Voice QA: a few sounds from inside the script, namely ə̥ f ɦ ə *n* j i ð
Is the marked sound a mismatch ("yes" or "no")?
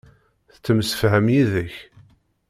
yes